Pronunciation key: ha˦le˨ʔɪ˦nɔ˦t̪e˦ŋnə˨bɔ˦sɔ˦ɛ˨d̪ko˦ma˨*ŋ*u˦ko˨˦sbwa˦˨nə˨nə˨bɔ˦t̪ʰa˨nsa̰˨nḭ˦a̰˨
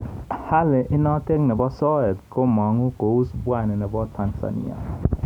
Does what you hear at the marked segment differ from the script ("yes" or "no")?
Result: no